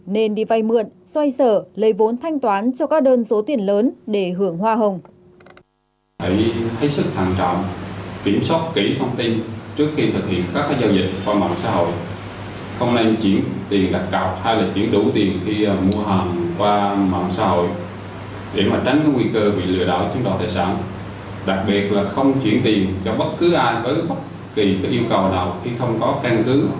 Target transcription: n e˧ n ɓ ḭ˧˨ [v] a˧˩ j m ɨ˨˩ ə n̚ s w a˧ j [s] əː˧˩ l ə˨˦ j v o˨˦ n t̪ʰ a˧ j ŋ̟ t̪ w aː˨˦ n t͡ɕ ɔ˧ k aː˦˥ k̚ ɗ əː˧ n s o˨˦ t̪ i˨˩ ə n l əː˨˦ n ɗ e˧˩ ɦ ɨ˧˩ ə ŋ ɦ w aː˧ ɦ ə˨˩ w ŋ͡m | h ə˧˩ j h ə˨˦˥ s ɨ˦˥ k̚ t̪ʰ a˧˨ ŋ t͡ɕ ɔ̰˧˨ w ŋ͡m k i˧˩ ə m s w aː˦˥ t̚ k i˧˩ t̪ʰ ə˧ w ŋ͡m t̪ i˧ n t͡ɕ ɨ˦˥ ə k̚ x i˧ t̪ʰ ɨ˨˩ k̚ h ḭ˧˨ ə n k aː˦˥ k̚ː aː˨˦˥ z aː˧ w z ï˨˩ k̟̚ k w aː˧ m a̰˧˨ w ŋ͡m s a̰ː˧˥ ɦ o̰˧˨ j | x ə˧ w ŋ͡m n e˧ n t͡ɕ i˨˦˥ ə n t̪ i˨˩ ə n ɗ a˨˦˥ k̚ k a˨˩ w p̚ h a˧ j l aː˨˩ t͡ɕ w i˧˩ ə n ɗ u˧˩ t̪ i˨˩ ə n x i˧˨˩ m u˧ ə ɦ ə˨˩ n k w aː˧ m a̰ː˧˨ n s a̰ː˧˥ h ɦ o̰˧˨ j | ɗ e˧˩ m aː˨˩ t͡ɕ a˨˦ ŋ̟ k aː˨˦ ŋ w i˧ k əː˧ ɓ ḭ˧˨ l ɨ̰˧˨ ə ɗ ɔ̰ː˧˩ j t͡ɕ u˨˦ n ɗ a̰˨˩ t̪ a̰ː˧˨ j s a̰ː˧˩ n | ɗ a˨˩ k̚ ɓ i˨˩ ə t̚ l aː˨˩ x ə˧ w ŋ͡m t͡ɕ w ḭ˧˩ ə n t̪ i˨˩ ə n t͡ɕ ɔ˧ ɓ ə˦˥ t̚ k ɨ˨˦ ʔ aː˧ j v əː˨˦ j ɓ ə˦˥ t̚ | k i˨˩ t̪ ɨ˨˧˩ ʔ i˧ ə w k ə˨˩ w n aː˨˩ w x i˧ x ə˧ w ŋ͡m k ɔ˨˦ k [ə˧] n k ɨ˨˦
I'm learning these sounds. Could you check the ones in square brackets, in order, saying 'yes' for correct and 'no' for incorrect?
yes, yes, no

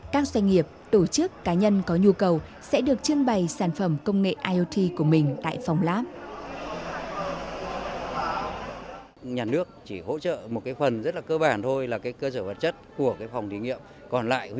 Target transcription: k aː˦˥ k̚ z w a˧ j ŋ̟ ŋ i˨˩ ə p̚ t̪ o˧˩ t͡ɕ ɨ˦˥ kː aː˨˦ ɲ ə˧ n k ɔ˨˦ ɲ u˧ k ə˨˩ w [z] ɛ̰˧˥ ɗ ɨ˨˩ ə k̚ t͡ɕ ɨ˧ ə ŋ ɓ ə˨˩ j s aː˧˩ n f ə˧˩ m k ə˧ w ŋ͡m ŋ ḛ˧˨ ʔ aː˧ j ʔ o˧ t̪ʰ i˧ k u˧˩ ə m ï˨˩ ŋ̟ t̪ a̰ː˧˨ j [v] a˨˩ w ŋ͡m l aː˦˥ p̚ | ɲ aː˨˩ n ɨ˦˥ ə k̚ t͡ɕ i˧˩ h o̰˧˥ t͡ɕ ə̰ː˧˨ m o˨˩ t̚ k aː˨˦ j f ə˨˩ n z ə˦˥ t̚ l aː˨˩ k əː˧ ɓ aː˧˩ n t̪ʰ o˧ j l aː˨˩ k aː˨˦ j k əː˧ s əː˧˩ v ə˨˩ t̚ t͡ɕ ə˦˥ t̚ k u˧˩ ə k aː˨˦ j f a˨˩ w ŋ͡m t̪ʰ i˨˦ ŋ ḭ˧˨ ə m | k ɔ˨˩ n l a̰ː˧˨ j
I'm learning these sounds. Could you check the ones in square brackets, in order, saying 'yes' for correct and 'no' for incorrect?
no, no

